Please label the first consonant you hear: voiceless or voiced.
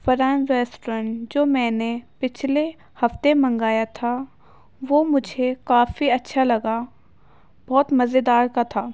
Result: voiceless